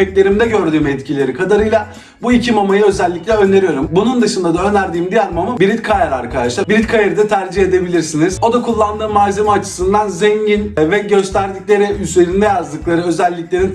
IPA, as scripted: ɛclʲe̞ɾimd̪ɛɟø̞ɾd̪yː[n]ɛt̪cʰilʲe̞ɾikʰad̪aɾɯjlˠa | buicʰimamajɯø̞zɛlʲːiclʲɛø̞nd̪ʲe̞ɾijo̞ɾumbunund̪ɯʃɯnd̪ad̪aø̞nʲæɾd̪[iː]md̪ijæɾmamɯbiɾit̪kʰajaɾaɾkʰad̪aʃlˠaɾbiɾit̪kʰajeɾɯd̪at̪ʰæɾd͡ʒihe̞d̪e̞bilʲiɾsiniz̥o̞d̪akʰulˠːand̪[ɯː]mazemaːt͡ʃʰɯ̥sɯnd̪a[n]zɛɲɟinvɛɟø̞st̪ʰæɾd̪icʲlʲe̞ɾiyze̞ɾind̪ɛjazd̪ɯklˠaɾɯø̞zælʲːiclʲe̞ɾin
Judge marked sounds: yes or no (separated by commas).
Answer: no, yes, yes, yes